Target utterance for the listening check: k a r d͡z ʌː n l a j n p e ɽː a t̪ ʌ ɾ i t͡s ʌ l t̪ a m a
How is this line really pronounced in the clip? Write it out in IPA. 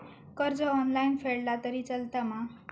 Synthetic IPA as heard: k ʌ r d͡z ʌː n l a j n pʰ e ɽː a t̪ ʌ ɾ i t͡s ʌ l t̪ a m a